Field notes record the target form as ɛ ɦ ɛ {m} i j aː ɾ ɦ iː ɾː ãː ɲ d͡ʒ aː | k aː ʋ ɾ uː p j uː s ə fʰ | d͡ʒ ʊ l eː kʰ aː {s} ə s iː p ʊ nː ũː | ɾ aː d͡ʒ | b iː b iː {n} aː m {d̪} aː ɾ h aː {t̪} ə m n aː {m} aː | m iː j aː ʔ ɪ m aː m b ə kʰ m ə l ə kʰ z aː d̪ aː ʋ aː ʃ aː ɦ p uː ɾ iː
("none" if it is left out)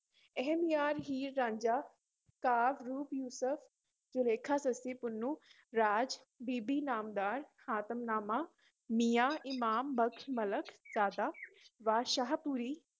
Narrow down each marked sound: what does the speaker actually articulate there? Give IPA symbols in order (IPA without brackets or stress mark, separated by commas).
m, s, n, d̪, t̪, m